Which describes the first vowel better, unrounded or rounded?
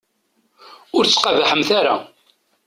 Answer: rounded